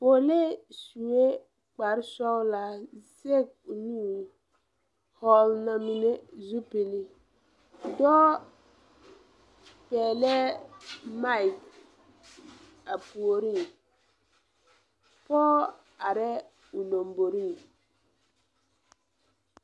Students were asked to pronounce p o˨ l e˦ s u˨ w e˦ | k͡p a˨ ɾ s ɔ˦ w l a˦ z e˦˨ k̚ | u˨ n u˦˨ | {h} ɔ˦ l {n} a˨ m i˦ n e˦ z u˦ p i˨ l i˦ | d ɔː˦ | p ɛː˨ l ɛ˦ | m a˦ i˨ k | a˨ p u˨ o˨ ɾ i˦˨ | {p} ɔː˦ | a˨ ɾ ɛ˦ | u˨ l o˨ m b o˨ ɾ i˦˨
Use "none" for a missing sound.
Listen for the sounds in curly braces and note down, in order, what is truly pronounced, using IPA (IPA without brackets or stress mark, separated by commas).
h, n, p